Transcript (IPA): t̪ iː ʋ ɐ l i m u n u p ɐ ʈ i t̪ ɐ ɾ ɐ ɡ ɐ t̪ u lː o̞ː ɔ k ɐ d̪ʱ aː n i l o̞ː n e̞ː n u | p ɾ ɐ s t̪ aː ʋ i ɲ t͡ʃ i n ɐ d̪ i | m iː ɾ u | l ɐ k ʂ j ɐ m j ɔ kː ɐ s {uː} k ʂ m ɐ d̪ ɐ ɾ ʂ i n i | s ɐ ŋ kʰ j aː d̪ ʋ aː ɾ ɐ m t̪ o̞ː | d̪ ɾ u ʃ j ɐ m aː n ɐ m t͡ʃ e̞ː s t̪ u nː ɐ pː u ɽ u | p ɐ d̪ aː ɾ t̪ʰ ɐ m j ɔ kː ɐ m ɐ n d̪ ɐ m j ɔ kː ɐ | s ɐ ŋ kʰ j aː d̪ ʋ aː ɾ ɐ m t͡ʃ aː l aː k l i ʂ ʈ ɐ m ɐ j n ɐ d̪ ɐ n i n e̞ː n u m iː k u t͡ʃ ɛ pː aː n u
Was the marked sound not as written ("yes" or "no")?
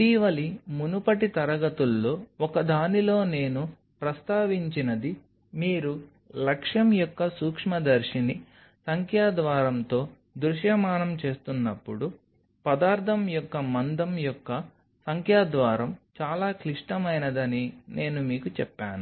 no